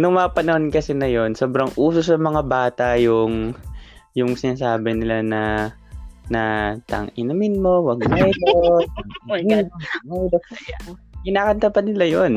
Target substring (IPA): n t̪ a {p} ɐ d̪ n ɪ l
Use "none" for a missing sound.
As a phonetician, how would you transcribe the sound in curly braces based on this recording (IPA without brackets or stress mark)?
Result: p